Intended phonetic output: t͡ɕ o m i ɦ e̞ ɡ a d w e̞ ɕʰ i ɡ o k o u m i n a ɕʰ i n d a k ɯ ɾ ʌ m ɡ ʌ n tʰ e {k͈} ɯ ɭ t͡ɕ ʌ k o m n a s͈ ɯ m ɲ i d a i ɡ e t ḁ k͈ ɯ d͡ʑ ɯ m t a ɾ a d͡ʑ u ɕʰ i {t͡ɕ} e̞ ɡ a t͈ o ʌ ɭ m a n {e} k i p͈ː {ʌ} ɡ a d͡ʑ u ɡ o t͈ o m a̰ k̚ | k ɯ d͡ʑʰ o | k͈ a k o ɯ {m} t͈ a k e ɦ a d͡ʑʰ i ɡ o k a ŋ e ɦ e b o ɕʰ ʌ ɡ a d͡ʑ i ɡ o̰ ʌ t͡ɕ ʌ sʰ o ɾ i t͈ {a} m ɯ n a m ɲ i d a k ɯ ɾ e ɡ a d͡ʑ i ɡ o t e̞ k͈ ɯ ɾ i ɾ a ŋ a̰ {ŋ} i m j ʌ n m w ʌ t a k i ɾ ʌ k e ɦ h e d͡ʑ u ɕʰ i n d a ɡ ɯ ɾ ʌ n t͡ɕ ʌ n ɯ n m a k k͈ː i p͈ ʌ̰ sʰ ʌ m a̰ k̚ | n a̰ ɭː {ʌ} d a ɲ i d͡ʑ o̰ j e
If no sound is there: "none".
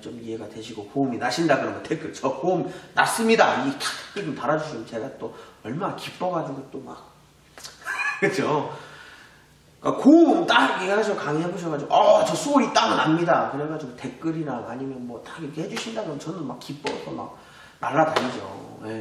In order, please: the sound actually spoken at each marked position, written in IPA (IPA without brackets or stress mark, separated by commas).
k͈, t͡ɕ, a, ʌ, m, a, ɲ, a